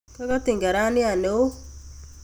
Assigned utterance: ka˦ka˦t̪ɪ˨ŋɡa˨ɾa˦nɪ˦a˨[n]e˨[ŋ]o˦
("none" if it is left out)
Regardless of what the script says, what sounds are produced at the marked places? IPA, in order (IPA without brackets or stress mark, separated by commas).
n, none